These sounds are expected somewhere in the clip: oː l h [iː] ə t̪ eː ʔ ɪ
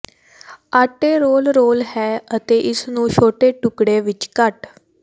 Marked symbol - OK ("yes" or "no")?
no